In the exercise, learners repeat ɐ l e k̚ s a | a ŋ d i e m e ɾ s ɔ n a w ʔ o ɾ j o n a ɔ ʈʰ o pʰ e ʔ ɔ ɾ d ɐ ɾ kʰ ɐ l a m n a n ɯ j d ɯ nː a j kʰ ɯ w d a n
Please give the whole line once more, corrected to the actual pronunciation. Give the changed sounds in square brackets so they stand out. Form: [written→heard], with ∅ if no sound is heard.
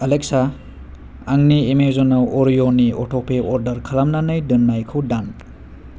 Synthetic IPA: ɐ l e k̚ s a | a ŋ [d→n] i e m e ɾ [s→z] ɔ n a w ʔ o ɾ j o n [a→i] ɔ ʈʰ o pʰ e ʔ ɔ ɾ d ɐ ɾ kʰ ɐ l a m n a n ɯ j d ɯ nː a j kʰ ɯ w d a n

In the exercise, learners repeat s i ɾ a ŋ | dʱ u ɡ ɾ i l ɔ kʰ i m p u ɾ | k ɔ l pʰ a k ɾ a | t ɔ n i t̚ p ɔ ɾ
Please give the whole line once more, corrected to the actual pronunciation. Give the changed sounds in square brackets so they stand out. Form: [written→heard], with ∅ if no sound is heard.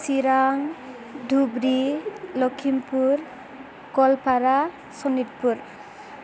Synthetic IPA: s i ɾ a ŋ | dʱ u [ɡ→b] ɾ i l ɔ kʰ i m p u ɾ | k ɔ l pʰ a [k→∅] ɾ a | [t→s] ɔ n i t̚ p [ɔ→u] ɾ

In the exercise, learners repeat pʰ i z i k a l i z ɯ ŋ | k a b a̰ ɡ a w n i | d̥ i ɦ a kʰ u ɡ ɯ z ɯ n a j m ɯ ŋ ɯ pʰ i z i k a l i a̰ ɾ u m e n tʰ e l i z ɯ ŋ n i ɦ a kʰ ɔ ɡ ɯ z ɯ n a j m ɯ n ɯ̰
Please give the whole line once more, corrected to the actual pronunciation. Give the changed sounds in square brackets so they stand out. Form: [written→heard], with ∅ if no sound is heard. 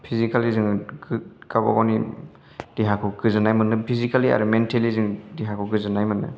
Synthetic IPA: pʰ i z i k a l i z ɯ ŋ | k a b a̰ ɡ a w n i | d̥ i ɦ a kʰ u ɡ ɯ z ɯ n a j m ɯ [ŋ→n] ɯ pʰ i z i k a l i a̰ ɾ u m e n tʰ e l i z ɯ ŋ [n→d] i ɦ a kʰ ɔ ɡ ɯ z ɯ n a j m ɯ n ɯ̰

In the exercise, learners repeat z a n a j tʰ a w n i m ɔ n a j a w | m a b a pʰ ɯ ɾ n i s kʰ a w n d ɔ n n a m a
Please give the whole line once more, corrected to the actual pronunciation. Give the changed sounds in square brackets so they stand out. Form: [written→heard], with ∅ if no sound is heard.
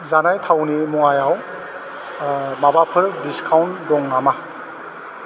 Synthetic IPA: z a n a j tʰ a w n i m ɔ [n→ŋ] a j a w | m a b a pʰ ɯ ɾ [n→d] i s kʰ a w n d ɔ [n→ŋ] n a m a

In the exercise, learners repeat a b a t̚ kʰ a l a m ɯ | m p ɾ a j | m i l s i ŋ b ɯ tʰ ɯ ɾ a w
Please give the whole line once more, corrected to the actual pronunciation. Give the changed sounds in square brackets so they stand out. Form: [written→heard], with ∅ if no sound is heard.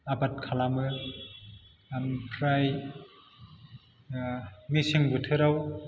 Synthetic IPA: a b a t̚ kʰ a l a m ɯ | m [p→pʰ] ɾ a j | m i [l→∅] s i ŋ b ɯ tʰ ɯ ɾ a w

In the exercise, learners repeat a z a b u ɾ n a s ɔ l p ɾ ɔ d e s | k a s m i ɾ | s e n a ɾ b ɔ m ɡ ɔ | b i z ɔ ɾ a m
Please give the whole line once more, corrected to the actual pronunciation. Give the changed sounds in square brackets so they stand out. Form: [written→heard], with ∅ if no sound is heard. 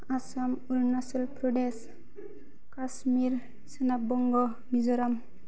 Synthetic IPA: a [z→s] a [b→m] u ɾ n a s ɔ l p ɾ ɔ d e s | k a s m i ɾ | s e n a [ɾ→∅] b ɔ [m→ŋ] ɡ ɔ | [b→m] i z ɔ ɾ a m

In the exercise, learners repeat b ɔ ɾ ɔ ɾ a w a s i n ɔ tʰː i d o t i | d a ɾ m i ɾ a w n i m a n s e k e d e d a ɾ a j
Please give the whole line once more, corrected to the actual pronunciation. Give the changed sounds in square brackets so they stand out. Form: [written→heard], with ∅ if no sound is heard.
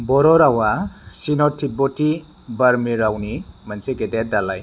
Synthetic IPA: b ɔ ɾ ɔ ɾ a w a s i n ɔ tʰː i [d→b] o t i | [d→b] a ɾ m i ɾ a w n i m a n s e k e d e d a [ɾ→l] a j

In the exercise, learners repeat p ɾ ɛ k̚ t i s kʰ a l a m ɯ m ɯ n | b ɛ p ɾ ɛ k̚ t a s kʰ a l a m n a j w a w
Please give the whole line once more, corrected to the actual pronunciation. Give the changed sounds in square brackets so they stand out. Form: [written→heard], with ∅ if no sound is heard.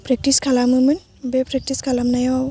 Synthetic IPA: p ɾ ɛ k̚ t i s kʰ a l a m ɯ m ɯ n | b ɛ p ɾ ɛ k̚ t [a→i] s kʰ a l a m n a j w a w

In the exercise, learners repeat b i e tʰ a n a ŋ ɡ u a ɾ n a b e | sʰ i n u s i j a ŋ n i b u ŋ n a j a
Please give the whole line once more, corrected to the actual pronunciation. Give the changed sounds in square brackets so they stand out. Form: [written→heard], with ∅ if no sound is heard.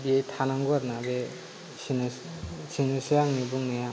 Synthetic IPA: b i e tʰ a n a ŋ ɡ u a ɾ n a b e | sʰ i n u s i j a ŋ n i b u ŋ n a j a

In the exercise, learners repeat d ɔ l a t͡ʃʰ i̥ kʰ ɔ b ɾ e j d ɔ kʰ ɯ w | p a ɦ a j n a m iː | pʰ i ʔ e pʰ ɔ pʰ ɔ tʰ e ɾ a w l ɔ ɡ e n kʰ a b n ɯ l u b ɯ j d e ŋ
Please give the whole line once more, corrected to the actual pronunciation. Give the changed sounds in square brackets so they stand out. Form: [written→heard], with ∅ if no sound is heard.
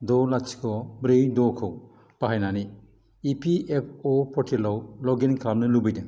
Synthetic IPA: d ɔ l a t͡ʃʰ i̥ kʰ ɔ b ɾ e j d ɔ kʰ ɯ w | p a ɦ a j n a [m→n] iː | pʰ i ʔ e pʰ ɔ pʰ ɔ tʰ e [ɾ→l] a w l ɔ ɡ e n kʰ a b n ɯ l u b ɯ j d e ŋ

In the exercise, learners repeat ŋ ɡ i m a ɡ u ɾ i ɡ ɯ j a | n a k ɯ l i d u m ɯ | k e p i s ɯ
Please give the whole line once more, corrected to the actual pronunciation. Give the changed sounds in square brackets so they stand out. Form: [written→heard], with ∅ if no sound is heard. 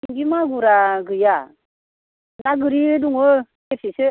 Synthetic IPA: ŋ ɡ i m a ɡ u ɾ [i→a] ɡ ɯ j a | n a [k→ɡ] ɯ [l→ɾ] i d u [m→ŋ] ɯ | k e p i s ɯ

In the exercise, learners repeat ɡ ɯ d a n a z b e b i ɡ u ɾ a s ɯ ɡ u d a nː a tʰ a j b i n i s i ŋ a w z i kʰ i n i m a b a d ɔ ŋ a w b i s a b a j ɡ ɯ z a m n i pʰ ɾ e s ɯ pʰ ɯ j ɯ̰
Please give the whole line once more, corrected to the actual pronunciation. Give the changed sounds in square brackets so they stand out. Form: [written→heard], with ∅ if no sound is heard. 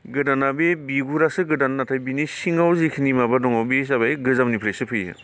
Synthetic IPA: ɡ ɯ d a n a [z→∅] b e b i ɡ u ɾ a s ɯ ɡ [u→ɯ] d a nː a tʰ a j b i n i s i ŋ a w z i kʰ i n i m a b a d ɔ ŋ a w b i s a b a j ɡ ɯ z a m n i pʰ ɾ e s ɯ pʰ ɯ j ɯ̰

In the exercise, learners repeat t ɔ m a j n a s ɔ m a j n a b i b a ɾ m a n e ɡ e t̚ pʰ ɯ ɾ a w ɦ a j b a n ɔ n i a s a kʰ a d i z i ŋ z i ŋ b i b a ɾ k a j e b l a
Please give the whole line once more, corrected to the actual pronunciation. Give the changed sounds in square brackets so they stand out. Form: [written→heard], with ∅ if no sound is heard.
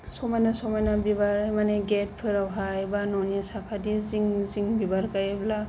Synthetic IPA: [t→s] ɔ m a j n a s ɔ m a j n a b i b a ɾ m a n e ɡ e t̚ pʰ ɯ ɾ a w ɦ a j b a n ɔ n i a s a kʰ a d i z i ŋ z i ŋ b i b a ɾ k a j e b l a

